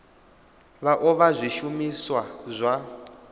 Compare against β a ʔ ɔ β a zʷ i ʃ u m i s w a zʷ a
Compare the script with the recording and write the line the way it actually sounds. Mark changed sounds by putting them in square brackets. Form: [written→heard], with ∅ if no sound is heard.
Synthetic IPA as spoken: β a ʔ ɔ β a zʷ i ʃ u m i s w a zʷ a